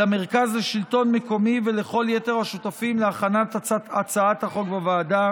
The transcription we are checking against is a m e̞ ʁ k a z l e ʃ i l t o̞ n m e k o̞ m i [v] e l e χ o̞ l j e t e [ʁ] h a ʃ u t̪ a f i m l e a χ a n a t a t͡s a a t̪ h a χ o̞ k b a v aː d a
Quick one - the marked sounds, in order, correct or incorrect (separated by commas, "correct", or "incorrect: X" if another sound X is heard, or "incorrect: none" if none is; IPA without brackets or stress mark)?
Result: correct, correct